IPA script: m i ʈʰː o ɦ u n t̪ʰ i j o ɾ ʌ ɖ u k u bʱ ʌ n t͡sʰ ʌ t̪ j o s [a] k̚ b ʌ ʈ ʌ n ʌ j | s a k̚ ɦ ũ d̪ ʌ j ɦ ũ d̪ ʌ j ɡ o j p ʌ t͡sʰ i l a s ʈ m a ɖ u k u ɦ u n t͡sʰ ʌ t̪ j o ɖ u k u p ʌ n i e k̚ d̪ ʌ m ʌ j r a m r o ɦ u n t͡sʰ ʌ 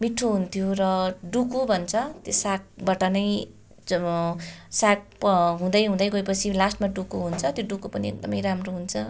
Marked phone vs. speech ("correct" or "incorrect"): correct